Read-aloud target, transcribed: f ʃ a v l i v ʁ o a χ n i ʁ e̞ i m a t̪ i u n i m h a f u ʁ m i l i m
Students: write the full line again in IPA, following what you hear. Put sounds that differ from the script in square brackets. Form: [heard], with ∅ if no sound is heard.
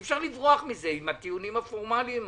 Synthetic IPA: f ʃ a [ʁ] l i v ʁ o a χ [m] i [z] e̞ i m a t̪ i u n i m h a f [o] ʁ m [a] l i m